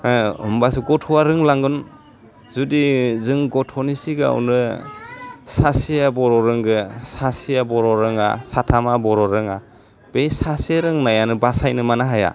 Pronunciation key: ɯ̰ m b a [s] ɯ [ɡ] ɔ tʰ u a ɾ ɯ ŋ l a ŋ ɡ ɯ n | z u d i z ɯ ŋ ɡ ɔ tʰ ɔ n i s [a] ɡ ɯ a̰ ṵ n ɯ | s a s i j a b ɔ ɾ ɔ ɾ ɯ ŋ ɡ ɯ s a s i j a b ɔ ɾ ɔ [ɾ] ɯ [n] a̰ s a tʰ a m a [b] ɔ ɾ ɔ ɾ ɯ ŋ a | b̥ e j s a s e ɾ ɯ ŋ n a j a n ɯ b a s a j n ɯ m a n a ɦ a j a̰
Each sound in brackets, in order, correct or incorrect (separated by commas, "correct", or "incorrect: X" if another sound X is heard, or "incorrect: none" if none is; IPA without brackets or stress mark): correct, correct, incorrect: i, correct, incorrect: ŋ, correct